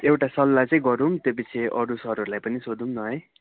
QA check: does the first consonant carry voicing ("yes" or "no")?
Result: yes